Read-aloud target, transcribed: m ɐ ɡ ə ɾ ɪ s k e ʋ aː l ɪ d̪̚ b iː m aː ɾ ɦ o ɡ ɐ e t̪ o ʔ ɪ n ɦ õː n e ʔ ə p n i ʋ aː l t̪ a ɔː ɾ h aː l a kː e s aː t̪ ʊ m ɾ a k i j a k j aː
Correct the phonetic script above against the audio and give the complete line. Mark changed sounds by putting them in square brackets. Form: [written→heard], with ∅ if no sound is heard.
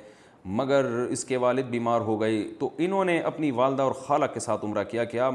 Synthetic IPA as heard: m ɐ ɡ ə ɾ ɪ s k e ʋ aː l ɪ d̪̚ b iː m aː ɾ ɦ o ɡ ɐ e t̪ o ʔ ɪ n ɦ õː n e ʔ [ə→ɐ] p n i ʋ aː l [t̪→d̪] a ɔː ɾ [h→x] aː l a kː e s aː t̪ ʊ m ɾ a k i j a k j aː